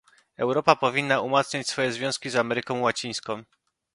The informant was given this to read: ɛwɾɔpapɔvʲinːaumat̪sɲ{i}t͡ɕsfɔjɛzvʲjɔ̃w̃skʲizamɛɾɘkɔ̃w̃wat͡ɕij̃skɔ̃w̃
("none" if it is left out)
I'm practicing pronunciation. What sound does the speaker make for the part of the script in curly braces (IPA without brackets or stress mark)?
a